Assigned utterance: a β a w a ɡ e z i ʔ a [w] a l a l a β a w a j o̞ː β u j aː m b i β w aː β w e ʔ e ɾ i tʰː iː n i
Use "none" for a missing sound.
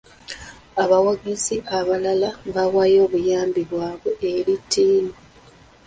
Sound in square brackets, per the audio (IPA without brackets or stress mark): β